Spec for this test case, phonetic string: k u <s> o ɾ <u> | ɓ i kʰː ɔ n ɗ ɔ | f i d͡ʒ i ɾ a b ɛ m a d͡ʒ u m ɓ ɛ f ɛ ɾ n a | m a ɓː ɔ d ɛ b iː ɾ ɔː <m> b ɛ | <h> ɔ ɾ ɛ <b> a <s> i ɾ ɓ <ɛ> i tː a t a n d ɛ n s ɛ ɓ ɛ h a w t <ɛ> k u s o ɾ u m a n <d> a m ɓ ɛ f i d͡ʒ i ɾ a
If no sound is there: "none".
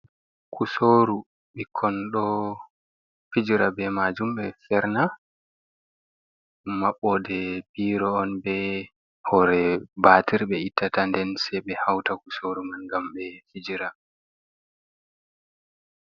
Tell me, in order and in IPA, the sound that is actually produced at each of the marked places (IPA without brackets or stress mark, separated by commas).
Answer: s, u, n, h, b, t, ɛ, a, ɡ